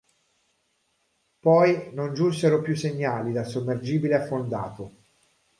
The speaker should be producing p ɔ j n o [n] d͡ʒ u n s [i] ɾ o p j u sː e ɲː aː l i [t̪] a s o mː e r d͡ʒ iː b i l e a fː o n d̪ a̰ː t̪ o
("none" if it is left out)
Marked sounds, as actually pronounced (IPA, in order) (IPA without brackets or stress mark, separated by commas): n, e, d̪